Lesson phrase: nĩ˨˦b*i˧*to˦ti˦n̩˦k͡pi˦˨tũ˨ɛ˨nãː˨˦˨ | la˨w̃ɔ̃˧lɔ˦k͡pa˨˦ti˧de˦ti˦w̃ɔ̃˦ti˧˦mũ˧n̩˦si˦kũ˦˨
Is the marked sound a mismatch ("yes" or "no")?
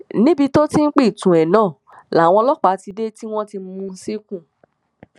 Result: no